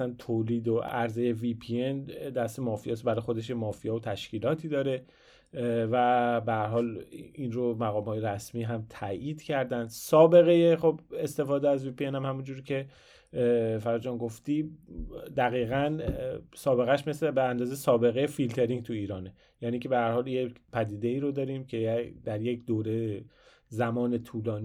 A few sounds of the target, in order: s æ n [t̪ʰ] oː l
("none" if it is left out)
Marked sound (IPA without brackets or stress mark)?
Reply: t̪ʰ